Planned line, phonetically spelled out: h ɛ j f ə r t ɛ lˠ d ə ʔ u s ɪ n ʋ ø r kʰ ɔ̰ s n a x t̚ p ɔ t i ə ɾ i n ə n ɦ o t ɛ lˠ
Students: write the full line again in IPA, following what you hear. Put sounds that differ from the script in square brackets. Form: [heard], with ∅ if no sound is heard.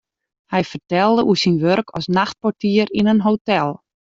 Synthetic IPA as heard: h ɛ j f ə r t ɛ lˠ d ə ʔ u s [i] n ʋ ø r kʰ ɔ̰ s n a x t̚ p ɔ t i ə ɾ i n ə n ɦ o t ɛ lˠ